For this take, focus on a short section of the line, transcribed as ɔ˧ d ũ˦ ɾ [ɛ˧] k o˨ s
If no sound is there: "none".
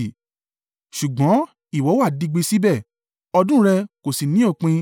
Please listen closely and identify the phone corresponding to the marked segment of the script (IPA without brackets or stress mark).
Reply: ɛ˧